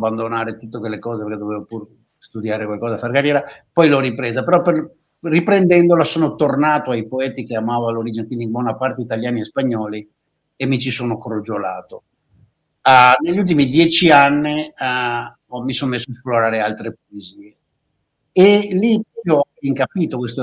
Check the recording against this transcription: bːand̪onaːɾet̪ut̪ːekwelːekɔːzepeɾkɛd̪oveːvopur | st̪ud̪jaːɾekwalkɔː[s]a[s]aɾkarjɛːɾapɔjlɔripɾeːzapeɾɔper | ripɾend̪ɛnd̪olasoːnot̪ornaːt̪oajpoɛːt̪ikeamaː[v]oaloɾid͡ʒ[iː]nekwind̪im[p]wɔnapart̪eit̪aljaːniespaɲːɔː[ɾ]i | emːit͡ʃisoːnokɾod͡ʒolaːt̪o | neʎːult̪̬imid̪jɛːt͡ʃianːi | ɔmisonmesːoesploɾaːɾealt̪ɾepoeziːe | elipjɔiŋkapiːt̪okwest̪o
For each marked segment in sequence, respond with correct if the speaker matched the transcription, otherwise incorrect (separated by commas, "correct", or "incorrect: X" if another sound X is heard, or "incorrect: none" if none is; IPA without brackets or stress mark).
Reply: incorrect: z, incorrect: f, correct, incorrect: i, incorrect: b, incorrect: l